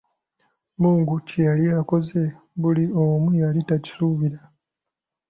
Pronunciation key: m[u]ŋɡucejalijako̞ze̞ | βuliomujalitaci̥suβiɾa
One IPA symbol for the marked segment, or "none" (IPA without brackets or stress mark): uː